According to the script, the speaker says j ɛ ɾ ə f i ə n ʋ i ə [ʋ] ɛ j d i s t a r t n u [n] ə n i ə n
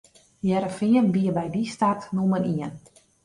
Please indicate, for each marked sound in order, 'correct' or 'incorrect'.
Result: correct, incorrect

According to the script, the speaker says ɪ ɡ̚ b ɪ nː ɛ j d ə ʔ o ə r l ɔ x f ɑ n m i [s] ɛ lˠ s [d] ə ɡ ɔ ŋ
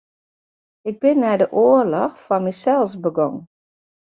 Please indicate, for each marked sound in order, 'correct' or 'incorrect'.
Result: correct, incorrect

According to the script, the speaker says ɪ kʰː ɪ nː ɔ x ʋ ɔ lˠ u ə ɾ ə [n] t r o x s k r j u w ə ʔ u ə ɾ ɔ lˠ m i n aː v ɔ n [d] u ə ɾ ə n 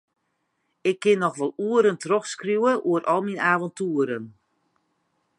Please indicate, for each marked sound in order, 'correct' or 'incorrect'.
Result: correct, incorrect

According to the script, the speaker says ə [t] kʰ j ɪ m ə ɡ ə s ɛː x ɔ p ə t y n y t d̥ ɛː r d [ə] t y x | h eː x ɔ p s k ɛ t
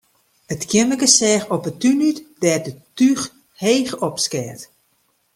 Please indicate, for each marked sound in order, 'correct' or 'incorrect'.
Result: correct, correct

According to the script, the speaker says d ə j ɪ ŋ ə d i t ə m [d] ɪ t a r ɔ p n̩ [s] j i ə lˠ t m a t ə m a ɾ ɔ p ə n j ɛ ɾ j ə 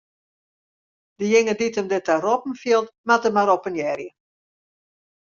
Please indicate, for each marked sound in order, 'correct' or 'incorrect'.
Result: correct, incorrect

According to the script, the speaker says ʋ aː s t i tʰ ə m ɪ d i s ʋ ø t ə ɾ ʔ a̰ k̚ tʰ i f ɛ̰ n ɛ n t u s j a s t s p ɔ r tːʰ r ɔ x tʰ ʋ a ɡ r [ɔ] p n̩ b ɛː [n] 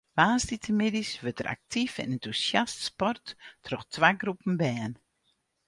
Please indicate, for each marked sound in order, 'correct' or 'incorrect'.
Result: incorrect, correct

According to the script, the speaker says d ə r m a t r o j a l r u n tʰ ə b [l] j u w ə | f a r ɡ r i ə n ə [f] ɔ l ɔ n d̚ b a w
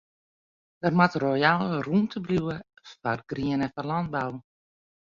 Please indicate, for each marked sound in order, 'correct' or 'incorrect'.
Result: correct, correct

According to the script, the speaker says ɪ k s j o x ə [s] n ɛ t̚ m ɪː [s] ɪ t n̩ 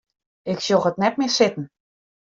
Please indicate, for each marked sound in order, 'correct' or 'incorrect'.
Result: incorrect, correct

